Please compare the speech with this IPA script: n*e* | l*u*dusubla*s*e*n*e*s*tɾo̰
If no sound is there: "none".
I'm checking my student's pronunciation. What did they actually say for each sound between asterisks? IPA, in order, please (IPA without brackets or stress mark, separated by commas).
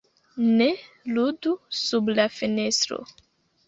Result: e, u, f, n, s